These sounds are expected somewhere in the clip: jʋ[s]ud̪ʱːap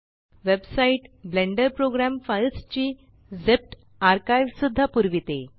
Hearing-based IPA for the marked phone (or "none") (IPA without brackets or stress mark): s